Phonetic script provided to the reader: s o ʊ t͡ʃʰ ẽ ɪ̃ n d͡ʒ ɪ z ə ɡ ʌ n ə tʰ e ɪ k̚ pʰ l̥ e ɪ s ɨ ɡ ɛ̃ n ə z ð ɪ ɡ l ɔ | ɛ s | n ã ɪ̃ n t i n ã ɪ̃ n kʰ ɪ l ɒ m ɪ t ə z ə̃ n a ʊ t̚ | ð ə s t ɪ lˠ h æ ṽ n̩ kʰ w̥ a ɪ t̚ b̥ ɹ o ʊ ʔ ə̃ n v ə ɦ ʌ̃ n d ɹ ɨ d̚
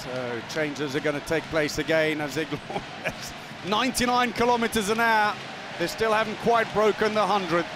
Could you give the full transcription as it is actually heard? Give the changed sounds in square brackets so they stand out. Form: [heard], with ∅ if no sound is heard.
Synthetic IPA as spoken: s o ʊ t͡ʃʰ ẽ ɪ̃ n d͡ʒ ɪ z ə ɡ ʌ n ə tʰ e ɪ k̚ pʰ l̥ e ɪ s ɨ ɡ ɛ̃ n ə z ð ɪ ɡ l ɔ | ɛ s | n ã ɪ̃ n t i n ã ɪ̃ n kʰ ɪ l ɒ m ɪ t ə z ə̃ n a ʊ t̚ | ð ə s t ɪ lˠ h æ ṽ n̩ kʰ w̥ a ɪ t̚ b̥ ɹ o ʊ [k] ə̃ n [ð] ə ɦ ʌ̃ n d ɹ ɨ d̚